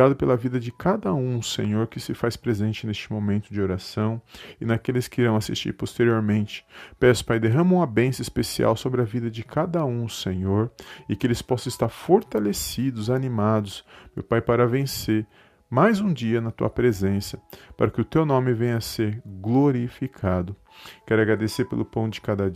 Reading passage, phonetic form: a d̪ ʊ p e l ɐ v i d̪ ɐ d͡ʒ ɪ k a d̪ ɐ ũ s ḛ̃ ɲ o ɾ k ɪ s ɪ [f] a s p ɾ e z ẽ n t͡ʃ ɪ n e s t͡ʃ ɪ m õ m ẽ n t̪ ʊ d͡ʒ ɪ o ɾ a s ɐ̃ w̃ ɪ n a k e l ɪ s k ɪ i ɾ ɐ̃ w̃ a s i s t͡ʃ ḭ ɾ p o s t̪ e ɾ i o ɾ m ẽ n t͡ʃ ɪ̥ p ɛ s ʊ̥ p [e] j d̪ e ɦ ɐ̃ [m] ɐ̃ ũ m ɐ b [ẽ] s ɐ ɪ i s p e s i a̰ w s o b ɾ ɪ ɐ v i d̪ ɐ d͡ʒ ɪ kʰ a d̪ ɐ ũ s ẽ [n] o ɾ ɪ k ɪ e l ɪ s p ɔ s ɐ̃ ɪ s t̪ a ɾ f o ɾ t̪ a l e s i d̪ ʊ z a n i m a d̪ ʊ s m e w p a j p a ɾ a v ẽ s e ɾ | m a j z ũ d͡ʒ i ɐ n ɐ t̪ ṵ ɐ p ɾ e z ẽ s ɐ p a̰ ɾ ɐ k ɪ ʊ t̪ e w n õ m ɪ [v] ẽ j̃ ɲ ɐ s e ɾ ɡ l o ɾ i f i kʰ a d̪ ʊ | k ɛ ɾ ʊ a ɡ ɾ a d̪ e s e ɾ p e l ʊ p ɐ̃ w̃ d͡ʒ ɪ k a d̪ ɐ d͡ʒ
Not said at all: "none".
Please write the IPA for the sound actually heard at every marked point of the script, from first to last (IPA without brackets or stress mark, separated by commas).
f, a, m, ẽ, ɲ, v